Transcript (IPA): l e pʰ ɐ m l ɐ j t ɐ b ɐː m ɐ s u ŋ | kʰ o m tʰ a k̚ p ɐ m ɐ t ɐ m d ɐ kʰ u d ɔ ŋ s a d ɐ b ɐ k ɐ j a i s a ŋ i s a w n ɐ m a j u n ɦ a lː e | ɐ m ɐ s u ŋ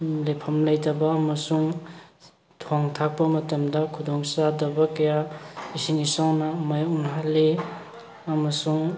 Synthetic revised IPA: l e pʰ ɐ m l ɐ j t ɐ b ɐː m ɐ s u ŋ | tʰ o ŋ tʰ a k̚ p ɐ m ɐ t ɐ m d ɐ kʰ u d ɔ ŋ s a d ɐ b ɐ k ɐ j a i s i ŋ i s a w n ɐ m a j u n ɦ a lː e | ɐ m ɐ s u ŋ